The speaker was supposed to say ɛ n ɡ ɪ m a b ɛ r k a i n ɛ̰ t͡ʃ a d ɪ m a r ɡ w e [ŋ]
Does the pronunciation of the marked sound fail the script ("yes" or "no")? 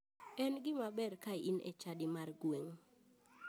no